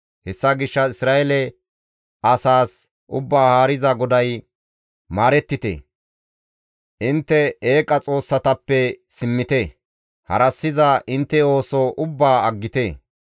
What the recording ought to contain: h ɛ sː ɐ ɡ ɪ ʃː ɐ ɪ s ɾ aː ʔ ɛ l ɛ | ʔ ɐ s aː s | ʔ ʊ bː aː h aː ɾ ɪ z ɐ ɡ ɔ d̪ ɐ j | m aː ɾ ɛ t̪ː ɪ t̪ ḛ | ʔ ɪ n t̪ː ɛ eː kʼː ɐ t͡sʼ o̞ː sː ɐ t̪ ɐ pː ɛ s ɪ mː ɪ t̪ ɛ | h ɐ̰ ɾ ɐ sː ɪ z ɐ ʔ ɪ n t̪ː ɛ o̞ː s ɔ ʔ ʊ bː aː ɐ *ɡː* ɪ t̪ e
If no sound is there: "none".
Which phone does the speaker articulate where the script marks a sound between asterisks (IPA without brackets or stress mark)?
ɡː